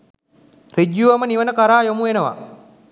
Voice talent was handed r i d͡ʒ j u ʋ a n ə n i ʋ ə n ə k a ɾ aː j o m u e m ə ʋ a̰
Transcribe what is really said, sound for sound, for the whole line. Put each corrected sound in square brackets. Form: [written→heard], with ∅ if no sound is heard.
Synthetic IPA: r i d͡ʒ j u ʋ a [n→m] ə n i ʋ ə n ə k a ɾ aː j o m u e [m→n] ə ʋ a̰